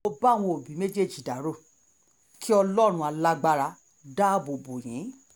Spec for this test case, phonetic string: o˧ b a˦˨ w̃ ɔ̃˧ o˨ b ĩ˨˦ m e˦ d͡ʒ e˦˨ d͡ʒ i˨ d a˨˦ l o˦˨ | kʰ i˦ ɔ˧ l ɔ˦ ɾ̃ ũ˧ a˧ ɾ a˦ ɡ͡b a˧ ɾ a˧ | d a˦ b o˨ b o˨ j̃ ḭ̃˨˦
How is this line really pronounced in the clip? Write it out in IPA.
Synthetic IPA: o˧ b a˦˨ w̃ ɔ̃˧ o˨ b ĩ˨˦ m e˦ d͡ʒ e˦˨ d͡ʒ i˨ d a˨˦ ɾ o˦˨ | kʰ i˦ ɔ˧ l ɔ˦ ɾ̃ ũ˧ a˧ l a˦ ɡ͡b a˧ ɾ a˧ | d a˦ b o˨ b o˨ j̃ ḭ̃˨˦